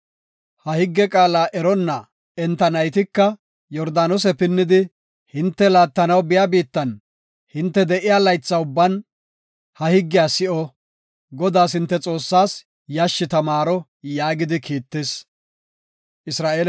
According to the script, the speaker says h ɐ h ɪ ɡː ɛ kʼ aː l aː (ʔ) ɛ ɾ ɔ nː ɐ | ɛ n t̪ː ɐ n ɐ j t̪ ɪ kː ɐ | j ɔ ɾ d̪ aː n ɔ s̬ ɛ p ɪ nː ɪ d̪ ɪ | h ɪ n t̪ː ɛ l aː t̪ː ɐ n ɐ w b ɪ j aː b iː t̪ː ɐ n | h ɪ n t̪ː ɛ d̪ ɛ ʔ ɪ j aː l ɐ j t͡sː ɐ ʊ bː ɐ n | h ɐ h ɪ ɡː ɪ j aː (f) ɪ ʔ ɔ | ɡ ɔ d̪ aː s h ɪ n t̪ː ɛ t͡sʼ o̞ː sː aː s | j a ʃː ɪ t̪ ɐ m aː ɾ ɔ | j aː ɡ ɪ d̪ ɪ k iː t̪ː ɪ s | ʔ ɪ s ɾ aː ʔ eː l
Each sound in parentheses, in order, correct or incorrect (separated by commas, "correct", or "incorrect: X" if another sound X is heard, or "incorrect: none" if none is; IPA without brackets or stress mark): correct, incorrect: s